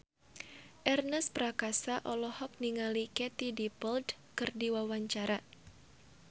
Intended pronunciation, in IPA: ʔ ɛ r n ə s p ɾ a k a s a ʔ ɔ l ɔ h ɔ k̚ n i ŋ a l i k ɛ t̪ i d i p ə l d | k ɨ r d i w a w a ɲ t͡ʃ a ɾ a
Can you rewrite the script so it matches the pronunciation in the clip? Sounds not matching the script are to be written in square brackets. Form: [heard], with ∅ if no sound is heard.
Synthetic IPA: ʔ ɛ r n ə s p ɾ a k a s a ʔ ɔ l ɔ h ɔ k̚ n i ŋ a l i k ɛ t̪ i d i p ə l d | k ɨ r d i w a w a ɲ t͡ʃ a ɾ a